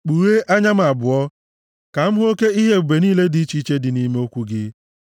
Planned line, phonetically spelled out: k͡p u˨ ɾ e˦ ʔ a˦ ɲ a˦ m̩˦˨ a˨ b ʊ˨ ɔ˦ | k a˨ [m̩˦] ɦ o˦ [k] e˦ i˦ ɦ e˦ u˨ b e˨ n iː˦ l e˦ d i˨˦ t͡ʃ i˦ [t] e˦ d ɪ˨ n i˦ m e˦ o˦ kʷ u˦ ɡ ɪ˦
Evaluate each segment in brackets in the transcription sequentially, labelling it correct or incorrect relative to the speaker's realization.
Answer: correct, correct, incorrect: t͡ʃ

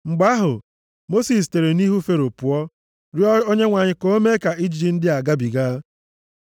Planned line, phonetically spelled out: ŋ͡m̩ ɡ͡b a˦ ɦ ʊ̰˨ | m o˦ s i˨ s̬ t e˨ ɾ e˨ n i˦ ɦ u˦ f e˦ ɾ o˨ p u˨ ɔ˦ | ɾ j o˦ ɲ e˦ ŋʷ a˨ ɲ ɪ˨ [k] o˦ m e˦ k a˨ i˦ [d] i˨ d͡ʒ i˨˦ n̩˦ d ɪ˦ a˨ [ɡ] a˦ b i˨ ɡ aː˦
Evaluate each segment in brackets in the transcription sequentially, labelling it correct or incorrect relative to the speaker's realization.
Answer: correct, incorrect: d͡ʒ, correct

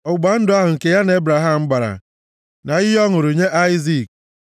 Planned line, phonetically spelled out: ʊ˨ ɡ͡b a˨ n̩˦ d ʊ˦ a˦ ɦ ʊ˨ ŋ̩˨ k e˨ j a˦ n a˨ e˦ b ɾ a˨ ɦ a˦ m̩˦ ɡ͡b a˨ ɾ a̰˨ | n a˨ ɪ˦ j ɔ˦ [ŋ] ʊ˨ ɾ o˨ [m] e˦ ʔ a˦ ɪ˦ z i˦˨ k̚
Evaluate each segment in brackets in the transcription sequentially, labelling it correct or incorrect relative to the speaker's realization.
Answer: correct, incorrect: ɲ

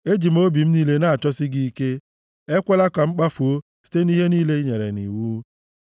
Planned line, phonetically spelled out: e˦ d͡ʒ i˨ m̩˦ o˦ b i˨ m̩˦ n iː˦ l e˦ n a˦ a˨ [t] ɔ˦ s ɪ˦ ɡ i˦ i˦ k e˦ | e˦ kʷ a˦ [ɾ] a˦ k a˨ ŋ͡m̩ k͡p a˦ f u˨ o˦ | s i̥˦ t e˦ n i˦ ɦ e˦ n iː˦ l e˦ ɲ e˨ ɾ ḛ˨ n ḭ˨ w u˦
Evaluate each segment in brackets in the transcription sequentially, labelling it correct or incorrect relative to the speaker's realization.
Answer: incorrect: t͡ʃ, incorrect: l

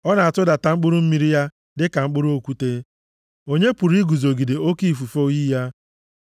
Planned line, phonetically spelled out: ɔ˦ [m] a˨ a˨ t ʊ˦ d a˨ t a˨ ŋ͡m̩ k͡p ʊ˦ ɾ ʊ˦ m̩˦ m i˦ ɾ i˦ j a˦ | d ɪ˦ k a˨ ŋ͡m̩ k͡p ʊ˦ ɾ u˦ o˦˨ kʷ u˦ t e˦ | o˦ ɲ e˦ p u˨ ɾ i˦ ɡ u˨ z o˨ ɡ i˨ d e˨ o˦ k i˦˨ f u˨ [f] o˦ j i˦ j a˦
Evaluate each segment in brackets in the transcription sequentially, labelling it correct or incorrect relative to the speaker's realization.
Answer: incorrect: n, correct

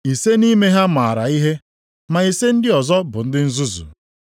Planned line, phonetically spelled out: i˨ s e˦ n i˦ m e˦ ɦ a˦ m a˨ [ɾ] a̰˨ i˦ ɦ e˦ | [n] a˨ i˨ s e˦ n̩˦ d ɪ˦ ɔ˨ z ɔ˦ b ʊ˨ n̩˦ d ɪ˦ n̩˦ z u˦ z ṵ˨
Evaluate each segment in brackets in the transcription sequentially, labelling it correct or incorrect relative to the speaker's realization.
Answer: correct, incorrect: m

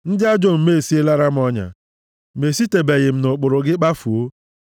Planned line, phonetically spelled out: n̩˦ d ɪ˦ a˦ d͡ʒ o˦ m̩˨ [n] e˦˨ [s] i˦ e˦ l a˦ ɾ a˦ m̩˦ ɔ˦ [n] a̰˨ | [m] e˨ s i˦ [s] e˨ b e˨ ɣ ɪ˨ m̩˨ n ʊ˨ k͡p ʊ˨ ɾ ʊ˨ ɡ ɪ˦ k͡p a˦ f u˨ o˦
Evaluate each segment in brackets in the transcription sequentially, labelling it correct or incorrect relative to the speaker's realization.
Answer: incorrect: m, correct, incorrect: ɲ, correct, incorrect: t

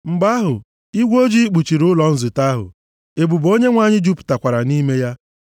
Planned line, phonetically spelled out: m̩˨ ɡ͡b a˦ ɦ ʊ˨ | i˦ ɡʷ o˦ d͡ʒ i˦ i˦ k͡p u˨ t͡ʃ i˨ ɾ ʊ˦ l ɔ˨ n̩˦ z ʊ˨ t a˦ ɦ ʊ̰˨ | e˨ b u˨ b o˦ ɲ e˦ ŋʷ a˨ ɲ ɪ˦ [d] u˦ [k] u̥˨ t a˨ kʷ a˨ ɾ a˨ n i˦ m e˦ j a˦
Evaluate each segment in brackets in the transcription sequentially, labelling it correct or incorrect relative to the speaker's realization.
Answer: incorrect: d͡ʒ, incorrect: p

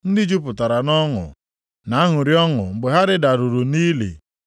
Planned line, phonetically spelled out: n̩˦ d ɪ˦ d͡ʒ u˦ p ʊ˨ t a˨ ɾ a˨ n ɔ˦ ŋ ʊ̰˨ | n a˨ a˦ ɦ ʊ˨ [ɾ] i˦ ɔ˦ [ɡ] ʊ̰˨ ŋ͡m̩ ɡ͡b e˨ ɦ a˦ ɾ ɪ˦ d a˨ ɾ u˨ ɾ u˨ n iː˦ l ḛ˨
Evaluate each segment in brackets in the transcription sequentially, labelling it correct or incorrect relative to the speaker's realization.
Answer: correct, incorrect: ŋ

